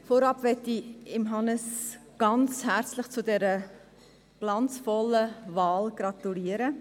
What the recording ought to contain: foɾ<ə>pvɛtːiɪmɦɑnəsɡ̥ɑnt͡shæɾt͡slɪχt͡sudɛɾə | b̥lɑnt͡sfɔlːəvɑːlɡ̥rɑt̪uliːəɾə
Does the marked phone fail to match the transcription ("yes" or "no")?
yes